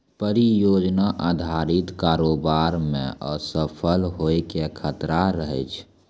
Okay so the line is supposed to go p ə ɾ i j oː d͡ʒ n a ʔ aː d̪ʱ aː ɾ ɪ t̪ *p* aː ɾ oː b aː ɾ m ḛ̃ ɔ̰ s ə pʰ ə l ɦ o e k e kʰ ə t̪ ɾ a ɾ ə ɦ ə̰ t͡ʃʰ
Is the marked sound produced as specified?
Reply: no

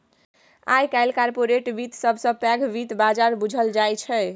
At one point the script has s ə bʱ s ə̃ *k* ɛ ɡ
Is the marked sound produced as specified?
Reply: no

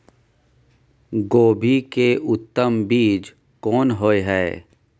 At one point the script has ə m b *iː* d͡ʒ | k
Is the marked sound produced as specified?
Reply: yes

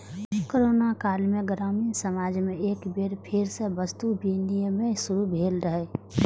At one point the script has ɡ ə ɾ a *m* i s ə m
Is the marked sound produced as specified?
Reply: yes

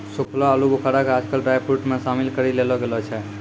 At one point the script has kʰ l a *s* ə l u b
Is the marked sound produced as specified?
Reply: no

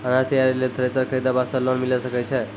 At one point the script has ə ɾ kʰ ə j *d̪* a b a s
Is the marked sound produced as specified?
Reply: yes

